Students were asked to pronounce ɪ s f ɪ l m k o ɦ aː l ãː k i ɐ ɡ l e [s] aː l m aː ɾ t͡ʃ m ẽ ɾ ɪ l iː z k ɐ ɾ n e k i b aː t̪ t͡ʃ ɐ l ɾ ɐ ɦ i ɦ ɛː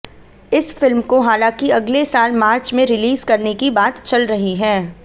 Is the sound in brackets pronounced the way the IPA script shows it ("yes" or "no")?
yes